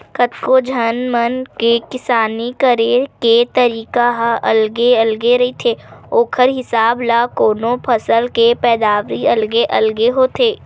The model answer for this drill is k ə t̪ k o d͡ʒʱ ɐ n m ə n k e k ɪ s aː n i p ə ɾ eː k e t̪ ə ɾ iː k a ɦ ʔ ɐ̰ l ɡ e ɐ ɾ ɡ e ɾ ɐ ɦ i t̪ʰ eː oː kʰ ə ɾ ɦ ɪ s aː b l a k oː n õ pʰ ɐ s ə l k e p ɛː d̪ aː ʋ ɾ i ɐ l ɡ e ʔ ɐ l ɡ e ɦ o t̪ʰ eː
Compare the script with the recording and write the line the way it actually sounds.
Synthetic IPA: k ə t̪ k o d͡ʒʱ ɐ n m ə n k e k ɪ s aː n i k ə ɾ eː k e t̪ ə ɾ iː k a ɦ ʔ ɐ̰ l ɡ e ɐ l ɡ e ɾ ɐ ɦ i t̪ʰ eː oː kʰ ə ɾ ɦ ɪ s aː b l a k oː n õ pʰ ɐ s ə l k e p ɛː d̪ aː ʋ ɾ i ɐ l ɡ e ʔ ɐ l ɡ e ɦ o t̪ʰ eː

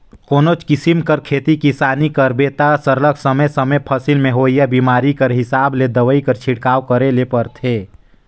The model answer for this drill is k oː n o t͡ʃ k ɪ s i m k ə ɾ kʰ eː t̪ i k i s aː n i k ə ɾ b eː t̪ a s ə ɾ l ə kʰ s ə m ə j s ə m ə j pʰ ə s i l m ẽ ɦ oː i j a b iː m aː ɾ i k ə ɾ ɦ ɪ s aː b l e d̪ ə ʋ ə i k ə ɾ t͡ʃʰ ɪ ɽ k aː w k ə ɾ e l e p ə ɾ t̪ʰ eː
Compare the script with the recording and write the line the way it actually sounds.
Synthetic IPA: k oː n o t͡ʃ k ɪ s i m k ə ɾ kʰ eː t̪ i k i s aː n i k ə ɾ b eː t̪ a s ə ɾ l ə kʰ s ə m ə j s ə m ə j pʰ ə s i l m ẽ ɦ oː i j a b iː m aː ɾ i k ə ɾ ɦ ɪ s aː b l e d̪ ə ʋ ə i k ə ɾ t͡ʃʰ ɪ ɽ k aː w k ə ɾ e l e p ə ɾ t̪ʰ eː

